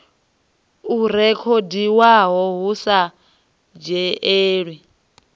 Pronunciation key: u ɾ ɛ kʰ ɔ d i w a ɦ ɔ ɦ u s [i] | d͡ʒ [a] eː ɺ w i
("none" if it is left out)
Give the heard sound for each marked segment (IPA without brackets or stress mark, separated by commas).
a, ɛ